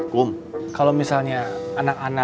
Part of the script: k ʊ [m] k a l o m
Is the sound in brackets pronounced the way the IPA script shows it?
yes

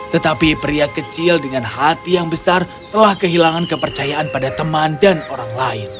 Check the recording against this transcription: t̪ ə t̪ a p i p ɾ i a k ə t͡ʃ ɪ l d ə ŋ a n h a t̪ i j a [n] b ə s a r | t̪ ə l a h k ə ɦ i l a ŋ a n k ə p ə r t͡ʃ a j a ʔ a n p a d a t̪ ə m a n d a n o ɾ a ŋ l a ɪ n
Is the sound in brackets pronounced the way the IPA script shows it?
no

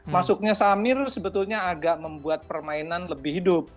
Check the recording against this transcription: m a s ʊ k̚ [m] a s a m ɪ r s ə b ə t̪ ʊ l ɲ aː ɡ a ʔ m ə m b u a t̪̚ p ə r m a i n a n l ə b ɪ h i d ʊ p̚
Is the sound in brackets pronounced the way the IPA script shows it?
no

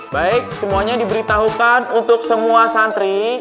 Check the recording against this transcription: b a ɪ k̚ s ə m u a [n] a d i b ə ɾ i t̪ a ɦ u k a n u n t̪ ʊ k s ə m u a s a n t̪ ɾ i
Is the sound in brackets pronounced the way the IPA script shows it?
no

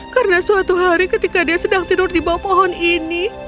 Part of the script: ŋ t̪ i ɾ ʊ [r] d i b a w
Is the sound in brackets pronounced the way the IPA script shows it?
yes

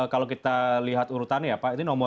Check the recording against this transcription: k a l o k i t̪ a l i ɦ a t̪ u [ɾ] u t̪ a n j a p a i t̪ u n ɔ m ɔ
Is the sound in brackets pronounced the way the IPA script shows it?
yes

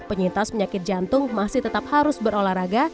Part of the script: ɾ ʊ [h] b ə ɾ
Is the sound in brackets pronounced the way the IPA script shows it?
no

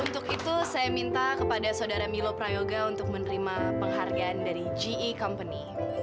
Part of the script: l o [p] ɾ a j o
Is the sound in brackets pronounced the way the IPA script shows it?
yes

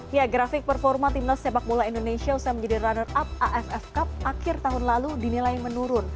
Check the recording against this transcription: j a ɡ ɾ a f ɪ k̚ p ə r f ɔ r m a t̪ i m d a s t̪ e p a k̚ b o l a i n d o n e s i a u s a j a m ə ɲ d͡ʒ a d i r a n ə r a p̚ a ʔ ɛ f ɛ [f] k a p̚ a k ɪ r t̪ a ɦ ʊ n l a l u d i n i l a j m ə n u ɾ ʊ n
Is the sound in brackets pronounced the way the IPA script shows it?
yes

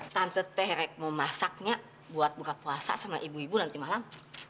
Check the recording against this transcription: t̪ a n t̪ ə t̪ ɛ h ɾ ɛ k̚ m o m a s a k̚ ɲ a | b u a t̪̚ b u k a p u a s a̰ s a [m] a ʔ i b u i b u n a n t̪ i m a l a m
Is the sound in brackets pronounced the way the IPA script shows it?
yes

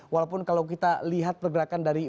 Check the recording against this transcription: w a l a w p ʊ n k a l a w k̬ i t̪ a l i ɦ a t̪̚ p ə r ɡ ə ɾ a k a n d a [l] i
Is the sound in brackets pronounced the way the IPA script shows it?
no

